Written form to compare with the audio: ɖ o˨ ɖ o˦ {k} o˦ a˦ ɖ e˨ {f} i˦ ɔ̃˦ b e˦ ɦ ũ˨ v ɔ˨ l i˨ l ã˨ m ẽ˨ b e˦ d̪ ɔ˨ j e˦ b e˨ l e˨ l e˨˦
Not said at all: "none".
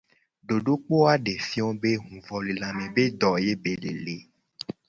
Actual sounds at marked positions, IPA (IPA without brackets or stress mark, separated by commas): k͡p, f